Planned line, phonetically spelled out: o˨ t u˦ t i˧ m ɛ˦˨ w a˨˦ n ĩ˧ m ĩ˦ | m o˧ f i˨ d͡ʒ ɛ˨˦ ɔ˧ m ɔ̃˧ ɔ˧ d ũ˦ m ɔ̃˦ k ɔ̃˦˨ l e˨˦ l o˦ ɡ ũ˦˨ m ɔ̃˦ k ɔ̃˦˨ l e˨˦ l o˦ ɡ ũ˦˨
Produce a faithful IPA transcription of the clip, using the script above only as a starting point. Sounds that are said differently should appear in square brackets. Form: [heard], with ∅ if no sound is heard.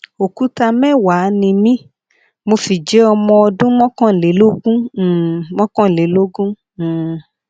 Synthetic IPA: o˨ [k] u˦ t [a˧] m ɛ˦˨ w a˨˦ n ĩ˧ m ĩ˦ | m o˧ f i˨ d͡ʒ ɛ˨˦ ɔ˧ m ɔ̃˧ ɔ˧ d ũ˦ m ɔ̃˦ k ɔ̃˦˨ l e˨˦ l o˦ ɡ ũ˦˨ m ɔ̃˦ k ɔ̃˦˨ l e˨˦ l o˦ ɡ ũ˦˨